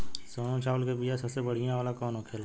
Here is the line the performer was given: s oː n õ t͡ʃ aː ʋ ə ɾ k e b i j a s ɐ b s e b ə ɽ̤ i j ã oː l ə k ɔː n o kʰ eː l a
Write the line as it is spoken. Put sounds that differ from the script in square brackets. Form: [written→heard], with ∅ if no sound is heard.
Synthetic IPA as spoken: s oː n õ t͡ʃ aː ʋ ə [ɾ→l] k e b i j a s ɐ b s e b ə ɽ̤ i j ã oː l [ə→a] k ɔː n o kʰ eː l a